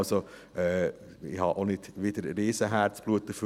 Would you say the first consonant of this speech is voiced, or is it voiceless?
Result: voiceless